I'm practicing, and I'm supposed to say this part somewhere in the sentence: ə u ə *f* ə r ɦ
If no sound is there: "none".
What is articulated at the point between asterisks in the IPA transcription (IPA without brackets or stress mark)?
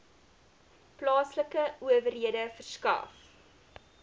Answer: v